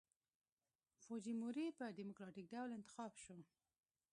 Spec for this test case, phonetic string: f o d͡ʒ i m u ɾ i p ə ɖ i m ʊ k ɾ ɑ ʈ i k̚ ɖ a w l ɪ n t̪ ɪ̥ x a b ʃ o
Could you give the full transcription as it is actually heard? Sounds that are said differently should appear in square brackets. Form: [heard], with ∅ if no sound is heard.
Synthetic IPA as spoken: f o d͡ʒ i m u ɾ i p ə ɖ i m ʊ k ɾ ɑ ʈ i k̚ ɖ a w l ɪ n t̪ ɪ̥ x [ɑ] b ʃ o

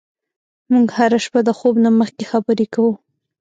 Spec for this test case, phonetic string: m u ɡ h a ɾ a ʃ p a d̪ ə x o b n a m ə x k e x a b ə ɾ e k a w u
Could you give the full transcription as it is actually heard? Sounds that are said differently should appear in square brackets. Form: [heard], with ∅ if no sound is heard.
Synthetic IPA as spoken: m u ɡ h a ɾ a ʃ p a d̪ ə x o b n a m ə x k e x a b ə ɾ e k a w u

